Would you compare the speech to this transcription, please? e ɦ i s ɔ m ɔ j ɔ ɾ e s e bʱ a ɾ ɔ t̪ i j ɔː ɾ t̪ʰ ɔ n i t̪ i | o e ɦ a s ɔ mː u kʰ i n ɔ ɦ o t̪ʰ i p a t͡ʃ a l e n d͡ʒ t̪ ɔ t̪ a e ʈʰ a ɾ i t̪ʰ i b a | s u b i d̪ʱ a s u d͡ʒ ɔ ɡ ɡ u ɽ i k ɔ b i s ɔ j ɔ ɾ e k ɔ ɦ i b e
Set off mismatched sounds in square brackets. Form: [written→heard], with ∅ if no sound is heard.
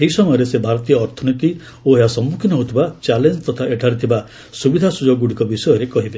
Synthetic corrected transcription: e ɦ i s ɔ m ɔ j ɔ ɾ e s e bʱ a ɾ ɔ t̪ i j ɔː ɾ t̪ʰ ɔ n i t̪ i | o e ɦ a s ɔ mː u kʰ i n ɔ ɦ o t̪ʰ i [p→b] a t͡ʃ a l e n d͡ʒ t̪ ɔ [t̪→t̪ʰ] a e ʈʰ a ɾ i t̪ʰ i b a | s u b i d̪ʱ a s u d͡ʒ ɔ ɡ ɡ u ɽ i k ɔ b i s ɔ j ɔ ɾ e k ɔ ɦ i b e